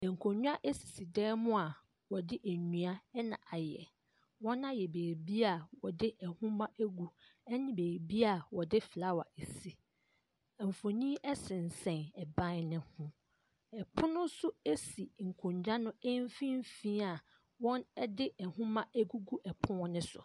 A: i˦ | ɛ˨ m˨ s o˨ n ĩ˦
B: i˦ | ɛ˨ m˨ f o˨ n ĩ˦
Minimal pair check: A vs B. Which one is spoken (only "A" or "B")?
B